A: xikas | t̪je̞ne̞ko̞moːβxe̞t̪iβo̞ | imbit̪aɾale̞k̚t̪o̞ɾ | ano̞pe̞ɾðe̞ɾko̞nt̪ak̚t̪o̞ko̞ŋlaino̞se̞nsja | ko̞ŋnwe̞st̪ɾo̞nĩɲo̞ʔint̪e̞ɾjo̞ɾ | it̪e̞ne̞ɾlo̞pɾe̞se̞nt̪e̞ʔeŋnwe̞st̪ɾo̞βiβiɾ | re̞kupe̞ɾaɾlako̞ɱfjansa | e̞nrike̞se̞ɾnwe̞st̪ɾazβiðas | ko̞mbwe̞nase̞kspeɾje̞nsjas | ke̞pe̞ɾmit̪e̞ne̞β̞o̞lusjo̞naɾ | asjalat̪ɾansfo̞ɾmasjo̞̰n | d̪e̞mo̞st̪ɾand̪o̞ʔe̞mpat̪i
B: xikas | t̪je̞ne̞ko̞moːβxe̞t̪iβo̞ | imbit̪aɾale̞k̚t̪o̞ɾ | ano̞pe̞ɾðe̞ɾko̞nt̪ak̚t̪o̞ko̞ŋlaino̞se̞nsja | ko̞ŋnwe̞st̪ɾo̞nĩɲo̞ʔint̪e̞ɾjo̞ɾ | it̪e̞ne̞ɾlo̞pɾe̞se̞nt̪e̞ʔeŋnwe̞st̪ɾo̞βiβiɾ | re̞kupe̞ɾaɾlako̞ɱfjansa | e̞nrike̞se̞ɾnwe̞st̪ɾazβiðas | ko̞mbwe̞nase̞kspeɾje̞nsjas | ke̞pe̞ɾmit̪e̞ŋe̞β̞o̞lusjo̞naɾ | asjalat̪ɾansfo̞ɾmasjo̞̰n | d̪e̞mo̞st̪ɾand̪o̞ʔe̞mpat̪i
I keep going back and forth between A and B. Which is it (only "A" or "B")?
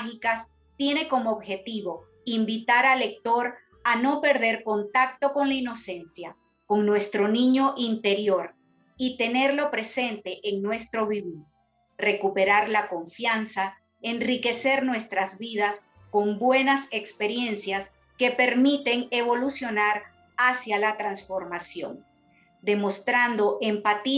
B